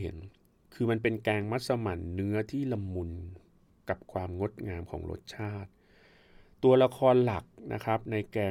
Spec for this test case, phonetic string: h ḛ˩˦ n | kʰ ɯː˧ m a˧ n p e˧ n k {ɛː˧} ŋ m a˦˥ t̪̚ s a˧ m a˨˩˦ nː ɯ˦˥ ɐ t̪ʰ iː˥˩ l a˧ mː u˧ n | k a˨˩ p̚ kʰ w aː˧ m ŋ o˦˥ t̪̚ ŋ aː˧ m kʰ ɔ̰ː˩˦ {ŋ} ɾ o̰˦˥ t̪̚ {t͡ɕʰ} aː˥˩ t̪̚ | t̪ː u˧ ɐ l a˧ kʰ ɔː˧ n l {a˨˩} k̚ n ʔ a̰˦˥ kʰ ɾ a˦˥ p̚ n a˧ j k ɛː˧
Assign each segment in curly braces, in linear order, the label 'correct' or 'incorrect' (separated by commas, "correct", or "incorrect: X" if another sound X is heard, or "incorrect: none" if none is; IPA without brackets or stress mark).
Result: correct, correct, correct, correct